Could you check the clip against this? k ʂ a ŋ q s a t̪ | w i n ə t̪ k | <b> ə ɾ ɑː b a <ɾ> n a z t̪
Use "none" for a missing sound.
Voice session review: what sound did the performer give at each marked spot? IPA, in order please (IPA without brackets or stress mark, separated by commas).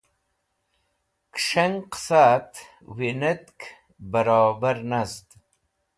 b, ɾ